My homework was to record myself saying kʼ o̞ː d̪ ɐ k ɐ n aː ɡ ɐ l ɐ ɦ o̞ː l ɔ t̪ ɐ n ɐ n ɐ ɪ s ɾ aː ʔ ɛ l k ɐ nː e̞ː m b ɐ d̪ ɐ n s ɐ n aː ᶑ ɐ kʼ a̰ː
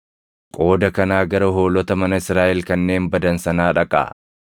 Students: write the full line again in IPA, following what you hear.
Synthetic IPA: kʼ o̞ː d̪ ɐ k ɐ n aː ɡ ɐ ɾ ɐ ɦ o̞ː l ɔ t̪ ɐ m ɐ n ɐ ɪ s ɾ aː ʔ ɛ l k ɐ nː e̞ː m b ɐ d̪ ɐ n s ɐ n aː ᶑ ɐ kʼ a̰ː